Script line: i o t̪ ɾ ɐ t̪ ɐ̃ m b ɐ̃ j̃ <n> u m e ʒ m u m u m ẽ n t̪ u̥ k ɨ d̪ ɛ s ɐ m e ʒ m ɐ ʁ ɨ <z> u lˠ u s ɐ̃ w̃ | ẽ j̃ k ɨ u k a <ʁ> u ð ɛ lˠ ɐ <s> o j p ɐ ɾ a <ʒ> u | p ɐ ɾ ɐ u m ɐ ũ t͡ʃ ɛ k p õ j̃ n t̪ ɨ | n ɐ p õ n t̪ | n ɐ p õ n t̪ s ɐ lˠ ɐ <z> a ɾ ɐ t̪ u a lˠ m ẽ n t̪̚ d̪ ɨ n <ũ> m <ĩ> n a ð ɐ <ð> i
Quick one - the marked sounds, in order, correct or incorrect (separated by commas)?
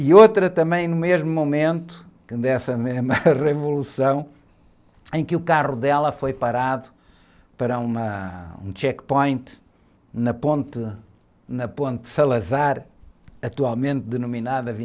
correct, incorrect, correct, incorrect, incorrect, correct, incorrect, incorrect, incorrect